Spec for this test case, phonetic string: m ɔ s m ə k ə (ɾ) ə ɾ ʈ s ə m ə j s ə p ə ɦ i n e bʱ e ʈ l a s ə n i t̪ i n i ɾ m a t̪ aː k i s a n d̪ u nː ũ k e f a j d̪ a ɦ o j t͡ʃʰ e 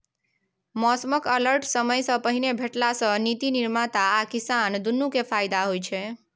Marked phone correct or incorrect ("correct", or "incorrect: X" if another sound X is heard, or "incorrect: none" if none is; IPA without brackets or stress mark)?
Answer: incorrect: l